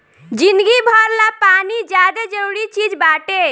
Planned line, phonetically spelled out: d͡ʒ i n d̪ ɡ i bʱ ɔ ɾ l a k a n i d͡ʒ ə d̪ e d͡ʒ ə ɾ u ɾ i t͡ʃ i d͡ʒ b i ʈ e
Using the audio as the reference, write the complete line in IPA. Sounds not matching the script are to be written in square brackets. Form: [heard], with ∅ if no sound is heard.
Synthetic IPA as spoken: d͡ʒ i n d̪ ɡ i bʱ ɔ ɾ l a [p] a n i d͡ʒ [a] d̪ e d͡ʒ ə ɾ u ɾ i t͡ʃ i d͡ʒ b [a] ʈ e